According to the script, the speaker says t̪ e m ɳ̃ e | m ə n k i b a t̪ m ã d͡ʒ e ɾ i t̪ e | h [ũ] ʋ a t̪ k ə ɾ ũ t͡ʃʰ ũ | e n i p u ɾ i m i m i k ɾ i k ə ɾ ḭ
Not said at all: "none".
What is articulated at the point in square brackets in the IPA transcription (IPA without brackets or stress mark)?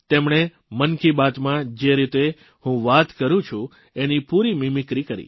ũ